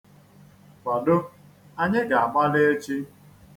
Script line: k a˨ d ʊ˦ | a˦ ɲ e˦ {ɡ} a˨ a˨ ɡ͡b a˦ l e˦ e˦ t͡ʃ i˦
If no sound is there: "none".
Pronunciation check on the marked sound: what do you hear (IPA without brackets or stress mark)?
ɡ